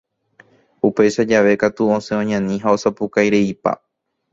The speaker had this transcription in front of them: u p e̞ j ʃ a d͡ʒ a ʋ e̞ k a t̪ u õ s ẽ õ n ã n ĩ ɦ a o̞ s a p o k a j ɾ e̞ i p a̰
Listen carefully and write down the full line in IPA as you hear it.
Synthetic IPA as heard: u p e̞ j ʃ a d͡ʒ a ʋ e̞ k a t̪ u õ s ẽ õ ɲ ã n ĩ ɦ a o̞ s a p u k a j ɾ e̞ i p a̰